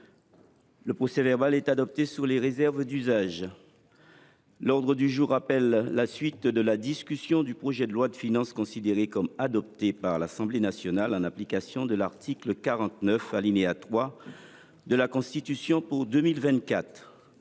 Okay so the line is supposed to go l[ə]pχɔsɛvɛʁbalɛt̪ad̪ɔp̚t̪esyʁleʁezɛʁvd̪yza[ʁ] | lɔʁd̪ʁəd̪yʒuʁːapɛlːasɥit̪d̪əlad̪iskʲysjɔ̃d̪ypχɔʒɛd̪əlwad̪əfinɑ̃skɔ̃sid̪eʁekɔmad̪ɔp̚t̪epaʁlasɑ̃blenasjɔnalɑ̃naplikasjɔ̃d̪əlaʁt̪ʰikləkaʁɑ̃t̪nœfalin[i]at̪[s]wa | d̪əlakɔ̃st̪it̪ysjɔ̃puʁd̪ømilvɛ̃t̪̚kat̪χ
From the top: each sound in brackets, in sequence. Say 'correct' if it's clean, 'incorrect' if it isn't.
correct, incorrect: ʒ, incorrect: e, incorrect: χ

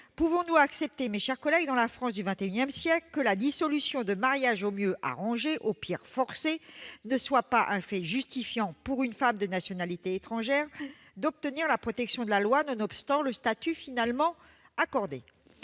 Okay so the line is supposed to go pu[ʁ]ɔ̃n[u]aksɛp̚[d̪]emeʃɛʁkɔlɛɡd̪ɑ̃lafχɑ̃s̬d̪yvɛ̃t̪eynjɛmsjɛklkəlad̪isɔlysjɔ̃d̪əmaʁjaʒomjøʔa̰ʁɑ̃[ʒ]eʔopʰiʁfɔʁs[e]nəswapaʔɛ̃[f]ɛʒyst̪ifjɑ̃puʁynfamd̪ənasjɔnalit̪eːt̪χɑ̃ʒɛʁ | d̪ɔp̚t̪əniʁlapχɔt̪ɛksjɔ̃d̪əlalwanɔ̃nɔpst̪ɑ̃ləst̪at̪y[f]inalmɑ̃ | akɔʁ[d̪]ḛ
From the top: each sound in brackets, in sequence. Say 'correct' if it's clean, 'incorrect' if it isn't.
incorrect: v, correct, incorrect: t̪, correct, correct, correct, correct, correct

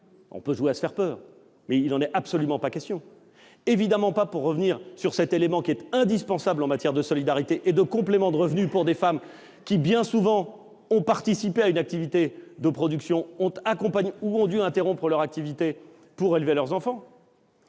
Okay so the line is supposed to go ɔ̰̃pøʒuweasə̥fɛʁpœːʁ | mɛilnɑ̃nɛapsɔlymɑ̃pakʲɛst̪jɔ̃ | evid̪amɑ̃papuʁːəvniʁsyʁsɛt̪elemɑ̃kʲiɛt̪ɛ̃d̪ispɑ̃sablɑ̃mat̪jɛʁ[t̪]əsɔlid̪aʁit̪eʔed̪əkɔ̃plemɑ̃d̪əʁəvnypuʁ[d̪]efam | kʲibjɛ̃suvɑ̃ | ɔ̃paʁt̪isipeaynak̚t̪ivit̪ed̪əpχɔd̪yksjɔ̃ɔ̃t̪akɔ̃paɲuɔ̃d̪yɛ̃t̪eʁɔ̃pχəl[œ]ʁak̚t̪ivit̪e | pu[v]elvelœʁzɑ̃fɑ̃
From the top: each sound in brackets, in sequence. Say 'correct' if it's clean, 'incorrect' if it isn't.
incorrect: d̪, correct, correct, incorrect: ʁ

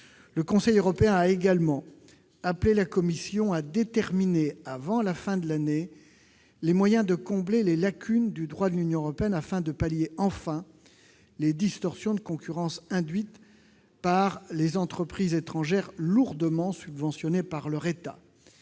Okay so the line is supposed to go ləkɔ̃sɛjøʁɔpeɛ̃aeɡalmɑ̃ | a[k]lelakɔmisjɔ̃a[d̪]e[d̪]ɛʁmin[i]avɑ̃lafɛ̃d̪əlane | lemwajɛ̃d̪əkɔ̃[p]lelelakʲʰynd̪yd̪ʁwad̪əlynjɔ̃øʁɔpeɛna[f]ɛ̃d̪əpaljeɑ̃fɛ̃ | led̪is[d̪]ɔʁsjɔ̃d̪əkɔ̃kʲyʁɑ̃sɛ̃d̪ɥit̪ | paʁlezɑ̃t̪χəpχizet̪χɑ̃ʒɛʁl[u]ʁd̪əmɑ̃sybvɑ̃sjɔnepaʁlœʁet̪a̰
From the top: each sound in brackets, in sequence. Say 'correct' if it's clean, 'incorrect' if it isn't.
incorrect: p, correct, incorrect: t̪, incorrect: e, incorrect: b, correct, incorrect: t̪, correct

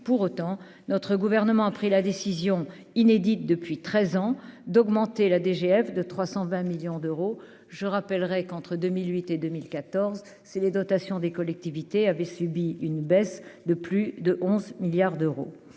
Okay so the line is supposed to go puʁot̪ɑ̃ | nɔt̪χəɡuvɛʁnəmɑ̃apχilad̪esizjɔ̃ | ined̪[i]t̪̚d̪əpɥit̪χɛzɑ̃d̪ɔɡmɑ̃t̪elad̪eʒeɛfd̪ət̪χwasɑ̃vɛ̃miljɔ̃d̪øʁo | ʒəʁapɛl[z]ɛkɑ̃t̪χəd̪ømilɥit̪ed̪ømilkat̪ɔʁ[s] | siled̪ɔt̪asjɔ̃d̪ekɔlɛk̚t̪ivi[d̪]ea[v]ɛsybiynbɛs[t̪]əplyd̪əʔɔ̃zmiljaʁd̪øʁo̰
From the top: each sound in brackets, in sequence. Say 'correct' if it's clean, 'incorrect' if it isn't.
correct, incorrect: ʁ, incorrect: z, incorrect: t̪, correct, incorrect: d̪

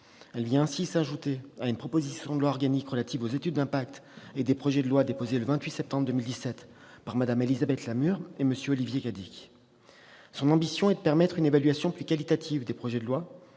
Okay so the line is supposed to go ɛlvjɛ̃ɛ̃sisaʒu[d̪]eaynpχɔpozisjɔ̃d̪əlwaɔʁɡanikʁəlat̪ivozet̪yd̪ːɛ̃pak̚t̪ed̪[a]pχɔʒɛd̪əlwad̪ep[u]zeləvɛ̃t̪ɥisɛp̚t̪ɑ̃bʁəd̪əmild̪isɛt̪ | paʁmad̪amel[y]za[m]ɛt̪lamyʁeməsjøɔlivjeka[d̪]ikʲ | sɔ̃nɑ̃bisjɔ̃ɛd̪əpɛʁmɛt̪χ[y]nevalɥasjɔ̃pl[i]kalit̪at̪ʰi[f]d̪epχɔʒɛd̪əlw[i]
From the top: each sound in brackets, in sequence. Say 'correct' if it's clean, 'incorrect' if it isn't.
incorrect: t̪, incorrect: e, incorrect: o, incorrect: i, incorrect: b, correct, correct, incorrect: y, incorrect: v, incorrect: a

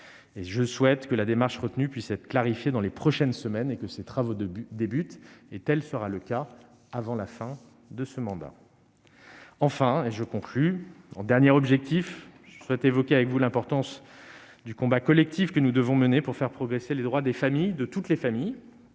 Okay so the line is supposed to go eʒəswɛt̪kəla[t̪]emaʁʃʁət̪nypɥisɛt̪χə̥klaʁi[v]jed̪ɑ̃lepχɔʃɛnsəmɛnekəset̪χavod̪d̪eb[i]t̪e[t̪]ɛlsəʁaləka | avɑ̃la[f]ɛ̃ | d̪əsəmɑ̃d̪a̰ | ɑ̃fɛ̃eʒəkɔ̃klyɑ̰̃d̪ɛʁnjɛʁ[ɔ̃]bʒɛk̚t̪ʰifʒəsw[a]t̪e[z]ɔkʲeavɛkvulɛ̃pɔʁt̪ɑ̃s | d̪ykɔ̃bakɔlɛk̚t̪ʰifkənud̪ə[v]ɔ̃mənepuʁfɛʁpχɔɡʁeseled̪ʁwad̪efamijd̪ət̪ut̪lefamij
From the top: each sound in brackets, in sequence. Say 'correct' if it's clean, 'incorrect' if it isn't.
incorrect: d̪, incorrect: f, incorrect: y, correct, correct, incorrect: ɔ, incorrect: ɛ, incorrect: v, correct

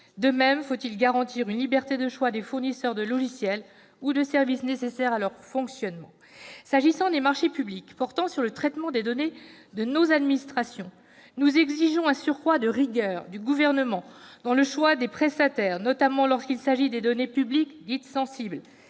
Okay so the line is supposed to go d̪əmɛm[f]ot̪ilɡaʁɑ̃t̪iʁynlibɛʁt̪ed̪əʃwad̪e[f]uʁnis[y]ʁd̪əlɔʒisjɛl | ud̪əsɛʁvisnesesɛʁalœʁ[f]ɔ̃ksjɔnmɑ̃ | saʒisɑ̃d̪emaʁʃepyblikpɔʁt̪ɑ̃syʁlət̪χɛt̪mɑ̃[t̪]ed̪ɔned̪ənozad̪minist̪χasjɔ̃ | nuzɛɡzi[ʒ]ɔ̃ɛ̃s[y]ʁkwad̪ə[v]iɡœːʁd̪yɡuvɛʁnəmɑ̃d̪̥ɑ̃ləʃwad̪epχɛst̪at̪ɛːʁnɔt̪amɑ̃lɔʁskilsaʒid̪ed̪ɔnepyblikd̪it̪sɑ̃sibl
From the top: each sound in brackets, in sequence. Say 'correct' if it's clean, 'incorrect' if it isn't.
correct, correct, incorrect: œ, correct, incorrect: d̪, correct, correct, incorrect: ʁ

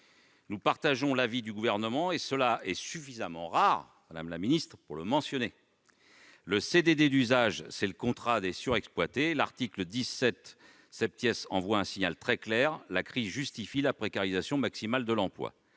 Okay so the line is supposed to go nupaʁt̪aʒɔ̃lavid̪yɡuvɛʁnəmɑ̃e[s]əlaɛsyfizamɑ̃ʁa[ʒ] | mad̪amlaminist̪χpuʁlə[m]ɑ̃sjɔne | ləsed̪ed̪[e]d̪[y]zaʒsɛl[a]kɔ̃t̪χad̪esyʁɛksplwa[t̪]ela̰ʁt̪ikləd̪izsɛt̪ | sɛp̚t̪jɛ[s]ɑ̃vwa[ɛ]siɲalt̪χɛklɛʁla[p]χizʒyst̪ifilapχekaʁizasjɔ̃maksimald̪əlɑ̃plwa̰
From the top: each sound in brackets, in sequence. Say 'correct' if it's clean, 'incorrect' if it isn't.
correct, incorrect: ʁ, correct, correct, correct, incorrect: ə, correct, correct, incorrect: ɛ̃, incorrect: k

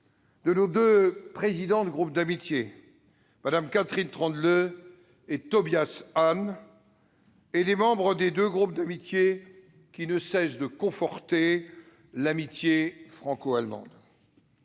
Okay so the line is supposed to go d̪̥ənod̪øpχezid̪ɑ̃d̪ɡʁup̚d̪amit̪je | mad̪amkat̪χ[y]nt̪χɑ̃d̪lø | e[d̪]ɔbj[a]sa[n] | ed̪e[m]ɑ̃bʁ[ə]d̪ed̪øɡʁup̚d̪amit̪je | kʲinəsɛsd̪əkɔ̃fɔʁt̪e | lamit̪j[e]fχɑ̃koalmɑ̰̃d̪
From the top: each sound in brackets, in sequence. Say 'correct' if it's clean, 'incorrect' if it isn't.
incorrect: i, incorrect: t̪, correct, correct, correct, correct, correct

